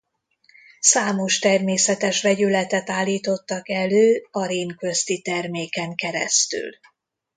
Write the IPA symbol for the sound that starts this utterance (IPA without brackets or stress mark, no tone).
s